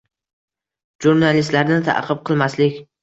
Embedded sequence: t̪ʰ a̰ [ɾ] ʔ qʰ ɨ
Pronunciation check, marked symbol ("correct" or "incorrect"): incorrect